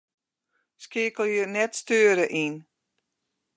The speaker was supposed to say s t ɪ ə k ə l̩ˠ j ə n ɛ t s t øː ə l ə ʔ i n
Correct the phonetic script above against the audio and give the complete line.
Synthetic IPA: s k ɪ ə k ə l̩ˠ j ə n ɛ t s t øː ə ɾ ə ʔ i n